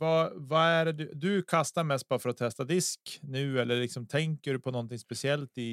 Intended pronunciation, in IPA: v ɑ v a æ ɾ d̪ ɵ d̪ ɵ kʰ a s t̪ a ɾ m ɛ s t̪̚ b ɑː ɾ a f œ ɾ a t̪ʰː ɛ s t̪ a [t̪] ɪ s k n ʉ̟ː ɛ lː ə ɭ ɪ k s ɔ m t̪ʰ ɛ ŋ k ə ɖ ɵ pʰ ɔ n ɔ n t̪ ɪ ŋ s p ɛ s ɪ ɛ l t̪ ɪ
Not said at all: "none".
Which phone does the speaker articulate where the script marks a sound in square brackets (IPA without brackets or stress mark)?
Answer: d̪